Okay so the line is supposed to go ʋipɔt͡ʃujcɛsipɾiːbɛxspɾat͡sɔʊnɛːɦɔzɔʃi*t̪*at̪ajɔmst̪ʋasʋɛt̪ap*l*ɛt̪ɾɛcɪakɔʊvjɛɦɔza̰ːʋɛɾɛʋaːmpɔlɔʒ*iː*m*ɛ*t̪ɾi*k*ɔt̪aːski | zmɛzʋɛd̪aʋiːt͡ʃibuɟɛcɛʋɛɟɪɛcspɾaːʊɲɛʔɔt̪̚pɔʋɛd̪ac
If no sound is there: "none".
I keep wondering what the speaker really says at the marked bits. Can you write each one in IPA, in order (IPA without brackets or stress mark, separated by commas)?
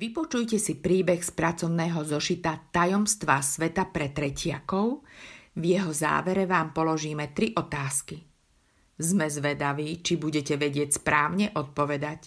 t̪, ɾ, iː, ɛ, ʔ